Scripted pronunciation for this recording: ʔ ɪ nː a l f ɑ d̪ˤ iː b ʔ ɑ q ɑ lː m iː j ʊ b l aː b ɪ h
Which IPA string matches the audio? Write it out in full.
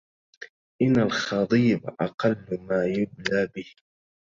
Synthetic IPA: ʔ ɪ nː a l x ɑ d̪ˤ iː b ʔ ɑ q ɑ lː m aː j ʊ b l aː b ɪ h